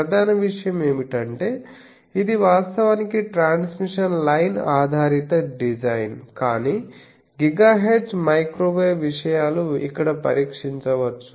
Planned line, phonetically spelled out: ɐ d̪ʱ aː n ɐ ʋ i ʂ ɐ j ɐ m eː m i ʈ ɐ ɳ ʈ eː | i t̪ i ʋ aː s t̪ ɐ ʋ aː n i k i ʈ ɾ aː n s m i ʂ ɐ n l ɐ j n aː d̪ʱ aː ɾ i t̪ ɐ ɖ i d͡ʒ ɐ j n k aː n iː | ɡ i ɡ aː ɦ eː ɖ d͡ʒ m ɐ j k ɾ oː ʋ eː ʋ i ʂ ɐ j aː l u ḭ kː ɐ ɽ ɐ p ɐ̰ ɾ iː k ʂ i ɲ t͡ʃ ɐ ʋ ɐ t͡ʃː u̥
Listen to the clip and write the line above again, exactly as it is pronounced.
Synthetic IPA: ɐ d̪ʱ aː n ɐ ʋ i ʂ ɐ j ɐ m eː m i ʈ ɐ ɳ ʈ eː | i d̪ i ʋ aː s t̪ ɐ ʋ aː n i k i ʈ ɾ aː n s m i ʂ ɐ n l ɐ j n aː d̪ʱ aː ɾ i t̪ ɐ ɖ i d͡ʒ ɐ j n k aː n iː | ɡ i ɡ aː ɦ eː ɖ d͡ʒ m ɐ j k ɾ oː ʋ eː ʋ i ʂ ɐ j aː l u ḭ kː ɐ ɽ ɐ p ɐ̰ ɾ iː k ʂ i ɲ t͡ʃ ɐ ʋ ɐ t͡ʃː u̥